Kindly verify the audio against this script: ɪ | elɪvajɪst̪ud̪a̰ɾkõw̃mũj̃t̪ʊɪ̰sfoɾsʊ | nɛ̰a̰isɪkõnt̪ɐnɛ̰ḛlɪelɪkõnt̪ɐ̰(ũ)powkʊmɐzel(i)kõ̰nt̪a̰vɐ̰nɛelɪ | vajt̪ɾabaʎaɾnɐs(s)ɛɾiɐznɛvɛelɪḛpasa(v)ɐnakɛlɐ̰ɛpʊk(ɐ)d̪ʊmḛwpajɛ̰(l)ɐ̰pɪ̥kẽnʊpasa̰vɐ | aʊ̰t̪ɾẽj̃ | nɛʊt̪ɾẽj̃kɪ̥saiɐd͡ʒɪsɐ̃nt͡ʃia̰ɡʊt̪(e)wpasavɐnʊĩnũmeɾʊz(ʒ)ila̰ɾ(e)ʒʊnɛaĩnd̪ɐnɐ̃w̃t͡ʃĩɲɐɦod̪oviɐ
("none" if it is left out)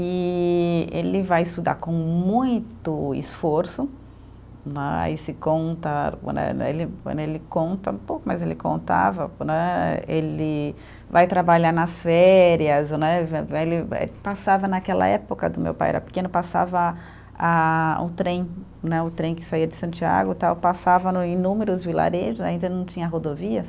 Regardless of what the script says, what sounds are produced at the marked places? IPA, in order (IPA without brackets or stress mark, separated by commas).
ũ, ɪ, f, v, ɐ, ɾ, a, v, e